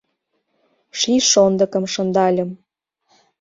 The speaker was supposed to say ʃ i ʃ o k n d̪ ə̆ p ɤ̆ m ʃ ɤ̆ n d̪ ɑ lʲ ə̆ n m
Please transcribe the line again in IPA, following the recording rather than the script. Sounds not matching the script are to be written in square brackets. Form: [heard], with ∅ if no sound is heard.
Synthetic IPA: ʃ i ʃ o [∅] n d̪ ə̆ [k] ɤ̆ m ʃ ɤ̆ n d̪ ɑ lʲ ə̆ [∅] m